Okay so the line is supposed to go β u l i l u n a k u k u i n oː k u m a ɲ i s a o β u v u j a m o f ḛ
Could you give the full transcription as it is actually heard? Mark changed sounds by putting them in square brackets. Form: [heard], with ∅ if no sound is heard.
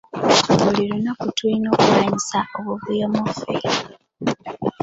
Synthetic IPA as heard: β u l i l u n a k u [t] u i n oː k u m a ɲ i s a o β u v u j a m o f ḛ